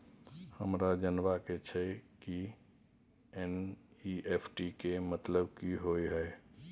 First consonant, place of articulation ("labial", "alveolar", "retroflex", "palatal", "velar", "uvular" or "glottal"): glottal